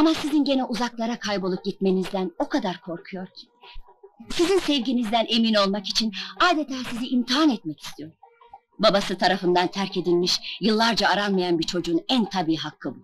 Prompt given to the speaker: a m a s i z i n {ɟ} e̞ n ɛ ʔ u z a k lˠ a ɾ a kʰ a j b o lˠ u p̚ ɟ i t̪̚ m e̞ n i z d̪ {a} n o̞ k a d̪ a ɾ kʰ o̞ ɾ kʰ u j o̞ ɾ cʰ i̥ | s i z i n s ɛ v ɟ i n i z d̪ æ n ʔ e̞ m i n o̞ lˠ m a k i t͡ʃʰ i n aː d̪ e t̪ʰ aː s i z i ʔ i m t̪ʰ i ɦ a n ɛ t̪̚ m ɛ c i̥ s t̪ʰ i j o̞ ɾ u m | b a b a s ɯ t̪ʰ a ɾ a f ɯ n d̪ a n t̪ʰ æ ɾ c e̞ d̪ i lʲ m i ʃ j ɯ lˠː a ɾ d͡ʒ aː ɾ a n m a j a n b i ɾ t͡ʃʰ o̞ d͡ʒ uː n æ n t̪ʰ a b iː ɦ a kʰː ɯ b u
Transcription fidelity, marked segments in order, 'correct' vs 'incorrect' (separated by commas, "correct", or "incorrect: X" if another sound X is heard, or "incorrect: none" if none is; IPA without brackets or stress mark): correct, incorrect: æ